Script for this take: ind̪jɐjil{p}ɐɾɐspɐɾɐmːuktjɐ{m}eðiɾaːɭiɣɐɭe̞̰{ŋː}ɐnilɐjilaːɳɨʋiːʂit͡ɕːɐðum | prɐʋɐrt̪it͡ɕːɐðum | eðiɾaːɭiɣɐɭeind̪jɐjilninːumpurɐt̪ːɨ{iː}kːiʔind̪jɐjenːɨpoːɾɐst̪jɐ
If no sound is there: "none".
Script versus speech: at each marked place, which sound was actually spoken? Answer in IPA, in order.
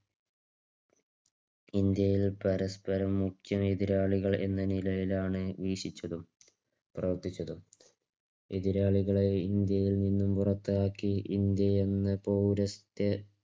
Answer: p, m, nː, aː

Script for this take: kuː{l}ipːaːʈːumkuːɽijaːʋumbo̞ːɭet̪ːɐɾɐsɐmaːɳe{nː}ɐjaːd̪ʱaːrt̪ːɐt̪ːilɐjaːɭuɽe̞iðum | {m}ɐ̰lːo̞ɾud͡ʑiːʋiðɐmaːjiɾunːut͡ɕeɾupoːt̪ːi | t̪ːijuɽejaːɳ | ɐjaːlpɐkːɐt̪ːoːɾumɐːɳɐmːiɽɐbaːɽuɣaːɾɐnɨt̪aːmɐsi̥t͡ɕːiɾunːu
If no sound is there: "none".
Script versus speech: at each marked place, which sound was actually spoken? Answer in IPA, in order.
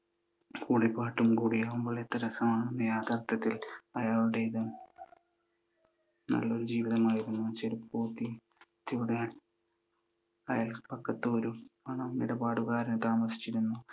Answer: ɽ, nː, n

